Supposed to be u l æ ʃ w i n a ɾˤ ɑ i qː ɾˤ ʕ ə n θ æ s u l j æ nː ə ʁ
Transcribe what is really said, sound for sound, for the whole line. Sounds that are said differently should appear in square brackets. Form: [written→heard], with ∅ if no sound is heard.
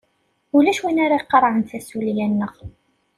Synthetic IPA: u l æ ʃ w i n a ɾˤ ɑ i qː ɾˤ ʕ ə n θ æ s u l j æ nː ə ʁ